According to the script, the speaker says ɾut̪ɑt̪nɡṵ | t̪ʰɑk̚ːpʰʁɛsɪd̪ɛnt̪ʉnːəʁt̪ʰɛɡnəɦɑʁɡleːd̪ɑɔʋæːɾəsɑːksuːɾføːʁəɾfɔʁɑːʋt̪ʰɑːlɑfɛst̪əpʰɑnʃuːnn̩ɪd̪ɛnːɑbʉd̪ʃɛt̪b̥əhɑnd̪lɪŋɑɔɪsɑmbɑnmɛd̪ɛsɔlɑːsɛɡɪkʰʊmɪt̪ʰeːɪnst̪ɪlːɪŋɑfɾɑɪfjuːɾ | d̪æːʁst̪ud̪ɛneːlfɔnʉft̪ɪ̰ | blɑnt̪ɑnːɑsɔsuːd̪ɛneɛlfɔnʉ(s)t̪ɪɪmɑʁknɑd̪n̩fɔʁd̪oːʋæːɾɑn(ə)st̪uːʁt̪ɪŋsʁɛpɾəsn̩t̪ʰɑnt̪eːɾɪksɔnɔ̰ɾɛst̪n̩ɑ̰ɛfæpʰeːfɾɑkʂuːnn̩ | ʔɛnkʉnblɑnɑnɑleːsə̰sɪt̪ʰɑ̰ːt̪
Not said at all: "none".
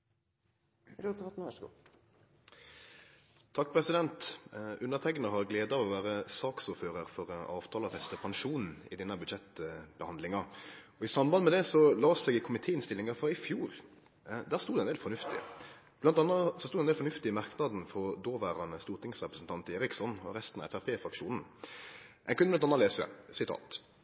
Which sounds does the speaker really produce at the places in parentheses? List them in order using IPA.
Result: f, ə

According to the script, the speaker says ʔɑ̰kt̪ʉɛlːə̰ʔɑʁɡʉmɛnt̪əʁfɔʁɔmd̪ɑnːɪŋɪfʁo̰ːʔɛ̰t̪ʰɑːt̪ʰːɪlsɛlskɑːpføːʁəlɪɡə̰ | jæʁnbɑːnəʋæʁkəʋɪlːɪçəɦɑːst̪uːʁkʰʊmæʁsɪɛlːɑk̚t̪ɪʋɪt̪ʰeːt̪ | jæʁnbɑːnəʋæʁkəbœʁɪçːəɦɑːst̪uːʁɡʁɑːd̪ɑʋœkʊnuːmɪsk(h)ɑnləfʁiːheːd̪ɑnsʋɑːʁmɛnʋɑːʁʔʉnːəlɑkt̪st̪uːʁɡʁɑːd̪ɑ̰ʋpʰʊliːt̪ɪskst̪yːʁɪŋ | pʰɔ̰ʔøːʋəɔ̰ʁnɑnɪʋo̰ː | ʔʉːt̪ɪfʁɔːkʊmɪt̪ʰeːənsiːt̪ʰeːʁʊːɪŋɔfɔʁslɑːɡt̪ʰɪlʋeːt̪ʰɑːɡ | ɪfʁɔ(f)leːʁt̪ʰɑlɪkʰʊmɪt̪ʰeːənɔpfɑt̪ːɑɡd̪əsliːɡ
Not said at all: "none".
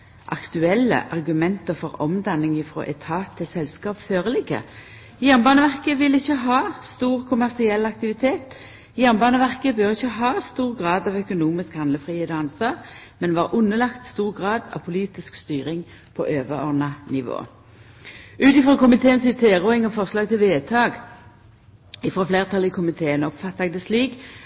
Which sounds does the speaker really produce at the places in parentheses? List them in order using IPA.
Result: h, f

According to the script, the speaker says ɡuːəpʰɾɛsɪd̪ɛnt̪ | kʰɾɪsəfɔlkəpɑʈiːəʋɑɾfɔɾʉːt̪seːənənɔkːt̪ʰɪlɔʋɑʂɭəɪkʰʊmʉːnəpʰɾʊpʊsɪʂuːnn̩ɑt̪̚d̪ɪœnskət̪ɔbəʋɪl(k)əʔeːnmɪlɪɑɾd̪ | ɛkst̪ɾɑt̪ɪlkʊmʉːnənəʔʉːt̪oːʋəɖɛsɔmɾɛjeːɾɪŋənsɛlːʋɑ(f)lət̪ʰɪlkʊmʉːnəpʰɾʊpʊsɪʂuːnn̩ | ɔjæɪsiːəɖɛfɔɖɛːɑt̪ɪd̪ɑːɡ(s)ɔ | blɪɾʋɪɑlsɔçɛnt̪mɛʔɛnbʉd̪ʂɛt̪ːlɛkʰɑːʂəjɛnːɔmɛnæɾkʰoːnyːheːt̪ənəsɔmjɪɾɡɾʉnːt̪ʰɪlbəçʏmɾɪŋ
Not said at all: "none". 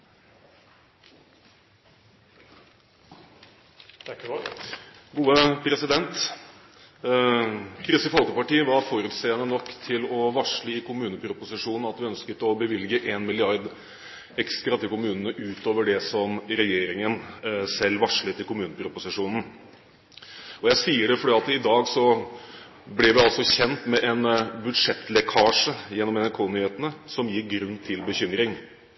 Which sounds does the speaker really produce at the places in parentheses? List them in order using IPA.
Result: ɡ, ʂ, s

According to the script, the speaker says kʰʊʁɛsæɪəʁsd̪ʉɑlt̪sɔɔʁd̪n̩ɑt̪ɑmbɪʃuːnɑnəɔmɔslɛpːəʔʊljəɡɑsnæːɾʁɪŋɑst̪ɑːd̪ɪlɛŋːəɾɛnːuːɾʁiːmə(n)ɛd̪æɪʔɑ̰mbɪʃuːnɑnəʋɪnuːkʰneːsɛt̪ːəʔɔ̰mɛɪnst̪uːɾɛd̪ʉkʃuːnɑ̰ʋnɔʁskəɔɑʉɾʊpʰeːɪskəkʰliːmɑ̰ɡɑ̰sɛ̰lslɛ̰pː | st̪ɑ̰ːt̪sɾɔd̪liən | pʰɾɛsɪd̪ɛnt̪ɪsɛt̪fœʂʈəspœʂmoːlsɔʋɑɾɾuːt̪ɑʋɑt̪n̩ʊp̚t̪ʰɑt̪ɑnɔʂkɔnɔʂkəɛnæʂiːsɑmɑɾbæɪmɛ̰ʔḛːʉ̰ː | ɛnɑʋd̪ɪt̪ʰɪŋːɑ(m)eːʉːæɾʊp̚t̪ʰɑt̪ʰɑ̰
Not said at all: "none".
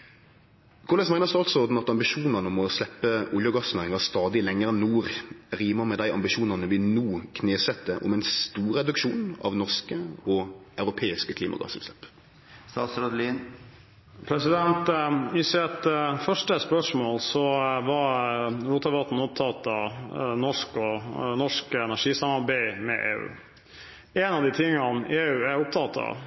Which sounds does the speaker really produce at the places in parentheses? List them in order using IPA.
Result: m, n

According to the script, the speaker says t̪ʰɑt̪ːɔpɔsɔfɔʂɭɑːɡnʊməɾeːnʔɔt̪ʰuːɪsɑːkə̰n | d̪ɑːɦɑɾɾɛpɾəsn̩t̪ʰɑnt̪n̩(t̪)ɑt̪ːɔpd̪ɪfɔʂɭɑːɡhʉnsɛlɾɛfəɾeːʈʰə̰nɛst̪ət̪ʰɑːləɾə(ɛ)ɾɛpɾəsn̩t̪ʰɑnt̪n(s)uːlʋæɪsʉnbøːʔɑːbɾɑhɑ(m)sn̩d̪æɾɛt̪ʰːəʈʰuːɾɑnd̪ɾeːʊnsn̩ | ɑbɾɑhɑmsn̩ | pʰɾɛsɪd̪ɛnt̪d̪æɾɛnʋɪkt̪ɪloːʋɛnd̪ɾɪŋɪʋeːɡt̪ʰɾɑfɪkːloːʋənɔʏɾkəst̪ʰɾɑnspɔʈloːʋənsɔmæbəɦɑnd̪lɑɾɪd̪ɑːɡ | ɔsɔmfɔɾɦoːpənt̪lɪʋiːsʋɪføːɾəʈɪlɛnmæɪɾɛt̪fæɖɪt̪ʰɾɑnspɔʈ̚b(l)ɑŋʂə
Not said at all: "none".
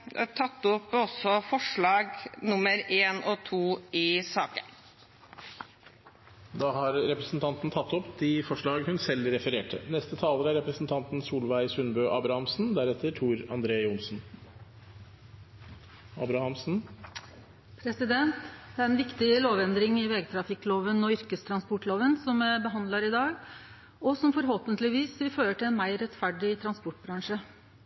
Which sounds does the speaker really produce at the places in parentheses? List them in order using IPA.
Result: t̪ʰ, æ, s, m, ɾ

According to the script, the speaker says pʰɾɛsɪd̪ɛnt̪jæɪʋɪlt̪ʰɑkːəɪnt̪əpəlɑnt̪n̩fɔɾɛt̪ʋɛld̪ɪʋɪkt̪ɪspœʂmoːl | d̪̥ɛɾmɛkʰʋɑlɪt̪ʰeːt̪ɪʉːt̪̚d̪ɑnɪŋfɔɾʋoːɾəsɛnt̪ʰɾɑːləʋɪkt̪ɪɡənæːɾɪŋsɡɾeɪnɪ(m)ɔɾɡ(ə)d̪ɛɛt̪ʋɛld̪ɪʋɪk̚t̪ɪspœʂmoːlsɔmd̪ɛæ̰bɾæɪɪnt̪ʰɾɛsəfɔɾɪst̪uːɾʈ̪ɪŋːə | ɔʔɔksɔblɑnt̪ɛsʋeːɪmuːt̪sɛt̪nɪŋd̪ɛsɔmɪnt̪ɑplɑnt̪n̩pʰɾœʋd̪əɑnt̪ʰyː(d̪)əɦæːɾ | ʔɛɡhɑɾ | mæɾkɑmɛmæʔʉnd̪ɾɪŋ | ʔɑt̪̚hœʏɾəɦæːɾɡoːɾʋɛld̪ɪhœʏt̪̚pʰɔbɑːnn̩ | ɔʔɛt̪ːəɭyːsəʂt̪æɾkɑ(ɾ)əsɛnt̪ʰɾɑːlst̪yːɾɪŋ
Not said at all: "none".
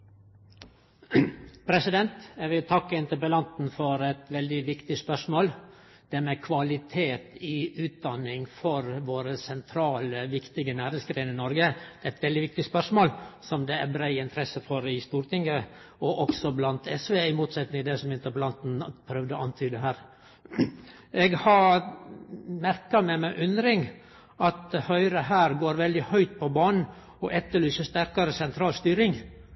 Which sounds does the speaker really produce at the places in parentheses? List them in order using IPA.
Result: n, ə, d̪, ɾ

